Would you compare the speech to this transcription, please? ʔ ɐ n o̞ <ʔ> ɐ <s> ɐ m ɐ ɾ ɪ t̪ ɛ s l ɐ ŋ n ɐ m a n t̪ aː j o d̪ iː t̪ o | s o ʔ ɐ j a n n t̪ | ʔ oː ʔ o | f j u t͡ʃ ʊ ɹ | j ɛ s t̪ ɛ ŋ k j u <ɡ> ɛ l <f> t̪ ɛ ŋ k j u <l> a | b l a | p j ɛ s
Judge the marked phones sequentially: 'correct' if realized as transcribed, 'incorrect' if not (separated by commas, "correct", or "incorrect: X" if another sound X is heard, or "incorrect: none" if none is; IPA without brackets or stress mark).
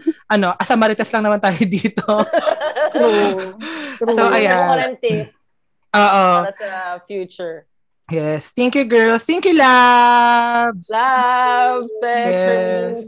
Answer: correct, correct, correct, incorrect: s, correct